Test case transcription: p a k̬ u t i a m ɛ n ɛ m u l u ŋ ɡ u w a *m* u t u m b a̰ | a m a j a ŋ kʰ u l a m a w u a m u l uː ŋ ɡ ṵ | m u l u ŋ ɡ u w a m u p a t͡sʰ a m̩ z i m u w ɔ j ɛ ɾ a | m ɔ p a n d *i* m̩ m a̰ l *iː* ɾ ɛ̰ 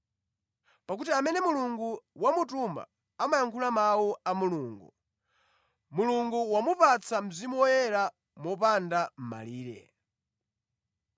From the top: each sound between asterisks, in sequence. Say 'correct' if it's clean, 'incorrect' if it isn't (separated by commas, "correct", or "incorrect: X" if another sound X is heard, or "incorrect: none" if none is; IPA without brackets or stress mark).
correct, incorrect: a, correct